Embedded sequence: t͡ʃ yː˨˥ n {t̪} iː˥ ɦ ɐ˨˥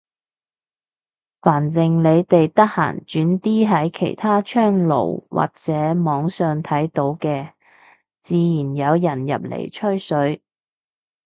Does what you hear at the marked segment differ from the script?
no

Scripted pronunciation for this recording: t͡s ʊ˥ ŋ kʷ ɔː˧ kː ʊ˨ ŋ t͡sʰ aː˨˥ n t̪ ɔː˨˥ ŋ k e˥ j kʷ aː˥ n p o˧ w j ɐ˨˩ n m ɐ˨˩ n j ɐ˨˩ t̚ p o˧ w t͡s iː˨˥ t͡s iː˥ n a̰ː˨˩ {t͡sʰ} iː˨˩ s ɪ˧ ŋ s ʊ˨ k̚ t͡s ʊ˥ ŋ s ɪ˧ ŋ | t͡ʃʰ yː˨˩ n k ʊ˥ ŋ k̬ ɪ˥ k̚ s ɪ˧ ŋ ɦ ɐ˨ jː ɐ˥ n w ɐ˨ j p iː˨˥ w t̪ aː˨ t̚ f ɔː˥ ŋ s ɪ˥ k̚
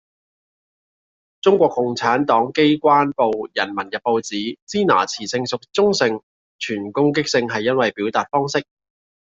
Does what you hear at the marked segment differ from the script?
no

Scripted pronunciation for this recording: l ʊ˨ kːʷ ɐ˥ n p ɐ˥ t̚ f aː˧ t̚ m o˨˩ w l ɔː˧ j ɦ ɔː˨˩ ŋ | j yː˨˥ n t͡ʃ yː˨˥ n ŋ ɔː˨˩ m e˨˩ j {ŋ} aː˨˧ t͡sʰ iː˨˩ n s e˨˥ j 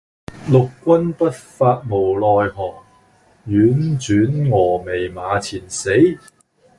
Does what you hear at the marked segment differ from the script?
yes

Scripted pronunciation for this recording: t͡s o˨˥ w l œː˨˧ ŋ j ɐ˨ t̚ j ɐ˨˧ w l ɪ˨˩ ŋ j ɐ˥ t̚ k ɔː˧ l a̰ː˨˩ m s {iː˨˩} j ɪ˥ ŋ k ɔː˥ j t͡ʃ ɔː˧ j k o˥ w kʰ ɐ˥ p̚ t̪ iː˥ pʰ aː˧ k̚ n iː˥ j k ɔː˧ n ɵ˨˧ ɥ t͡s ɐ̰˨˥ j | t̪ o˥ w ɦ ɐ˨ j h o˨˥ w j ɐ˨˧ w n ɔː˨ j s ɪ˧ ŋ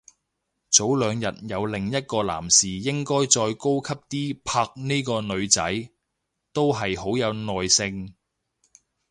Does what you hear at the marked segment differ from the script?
no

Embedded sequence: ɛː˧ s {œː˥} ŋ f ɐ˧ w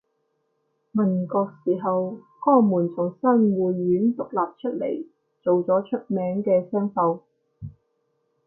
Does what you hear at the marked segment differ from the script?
yes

